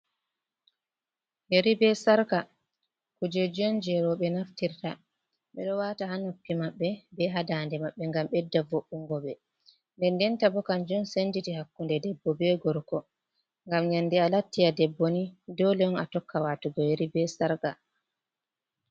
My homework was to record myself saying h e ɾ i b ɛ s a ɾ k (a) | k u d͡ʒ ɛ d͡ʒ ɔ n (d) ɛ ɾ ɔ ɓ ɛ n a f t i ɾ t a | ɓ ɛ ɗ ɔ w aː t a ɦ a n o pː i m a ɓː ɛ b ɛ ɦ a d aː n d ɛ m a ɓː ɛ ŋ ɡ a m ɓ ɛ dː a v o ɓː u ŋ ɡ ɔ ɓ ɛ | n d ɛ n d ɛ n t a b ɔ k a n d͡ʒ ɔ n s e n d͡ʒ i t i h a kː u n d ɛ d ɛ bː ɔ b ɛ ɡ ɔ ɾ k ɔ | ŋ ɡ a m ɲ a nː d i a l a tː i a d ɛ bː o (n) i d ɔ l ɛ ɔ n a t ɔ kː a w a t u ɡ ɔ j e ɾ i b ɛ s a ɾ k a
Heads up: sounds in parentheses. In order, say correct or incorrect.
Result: correct, incorrect: d͡ʒ, correct

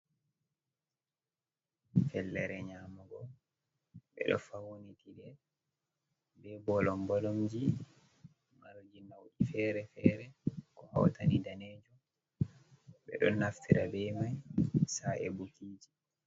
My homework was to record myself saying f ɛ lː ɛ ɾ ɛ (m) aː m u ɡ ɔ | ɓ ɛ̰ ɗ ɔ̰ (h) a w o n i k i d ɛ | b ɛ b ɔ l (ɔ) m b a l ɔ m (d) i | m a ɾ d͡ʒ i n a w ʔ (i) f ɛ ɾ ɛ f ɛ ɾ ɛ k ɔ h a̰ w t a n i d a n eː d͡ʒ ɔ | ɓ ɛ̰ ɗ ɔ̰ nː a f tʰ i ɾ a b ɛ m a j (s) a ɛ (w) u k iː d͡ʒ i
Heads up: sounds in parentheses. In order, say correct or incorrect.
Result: incorrect: ɲ, incorrect: f, correct, incorrect: d͡ʒ, correct, correct, incorrect: b

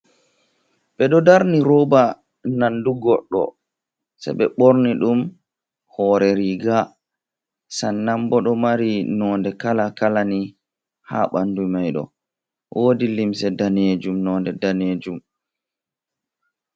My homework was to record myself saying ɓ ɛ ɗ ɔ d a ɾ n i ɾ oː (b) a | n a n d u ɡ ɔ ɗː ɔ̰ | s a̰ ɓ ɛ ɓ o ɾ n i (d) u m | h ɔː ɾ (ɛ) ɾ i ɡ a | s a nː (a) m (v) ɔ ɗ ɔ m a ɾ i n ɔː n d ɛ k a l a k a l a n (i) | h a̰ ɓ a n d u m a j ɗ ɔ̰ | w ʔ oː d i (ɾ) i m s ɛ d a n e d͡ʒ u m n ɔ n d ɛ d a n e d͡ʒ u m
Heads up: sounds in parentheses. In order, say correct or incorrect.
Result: correct, incorrect: ɗ, correct, correct, incorrect: b, correct, incorrect: l

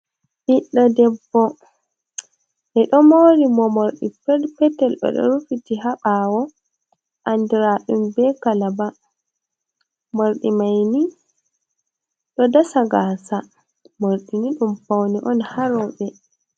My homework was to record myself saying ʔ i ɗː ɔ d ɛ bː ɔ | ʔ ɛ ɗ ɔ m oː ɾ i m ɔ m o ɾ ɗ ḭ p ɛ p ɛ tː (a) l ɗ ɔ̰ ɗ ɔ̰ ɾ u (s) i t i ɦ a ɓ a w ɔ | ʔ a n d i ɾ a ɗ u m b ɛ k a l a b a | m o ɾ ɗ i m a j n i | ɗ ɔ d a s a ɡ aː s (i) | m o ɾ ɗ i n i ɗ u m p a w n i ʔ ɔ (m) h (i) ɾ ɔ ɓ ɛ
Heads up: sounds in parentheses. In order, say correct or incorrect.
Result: incorrect: ɛ, incorrect: f, incorrect: a, incorrect: n, incorrect: a

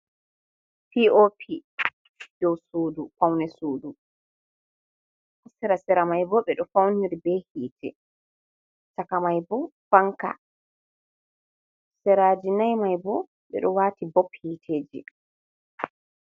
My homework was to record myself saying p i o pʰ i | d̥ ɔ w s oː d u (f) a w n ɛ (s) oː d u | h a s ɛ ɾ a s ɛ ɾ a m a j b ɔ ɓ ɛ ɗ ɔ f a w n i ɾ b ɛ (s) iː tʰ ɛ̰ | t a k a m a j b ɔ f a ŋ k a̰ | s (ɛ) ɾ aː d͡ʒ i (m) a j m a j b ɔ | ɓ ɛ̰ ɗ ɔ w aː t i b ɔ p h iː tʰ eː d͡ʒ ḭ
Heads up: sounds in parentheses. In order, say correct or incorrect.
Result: correct, correct, incorrect: h, correct, incorrect: n

